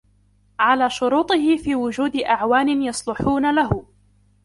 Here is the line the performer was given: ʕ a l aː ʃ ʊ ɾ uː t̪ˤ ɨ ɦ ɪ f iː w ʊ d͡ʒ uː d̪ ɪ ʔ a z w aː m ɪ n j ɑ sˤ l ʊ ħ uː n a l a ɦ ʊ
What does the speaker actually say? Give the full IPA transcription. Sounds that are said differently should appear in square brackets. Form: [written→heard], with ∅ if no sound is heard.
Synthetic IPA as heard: ʕ a l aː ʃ ʊ ɾ uː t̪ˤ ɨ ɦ ɪ f iː w ʊ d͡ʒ uː d̪ ɪ ʔ a [z→ʕ] w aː [m→n] ɪ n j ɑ sˤ l ʊ ħ uː n a l a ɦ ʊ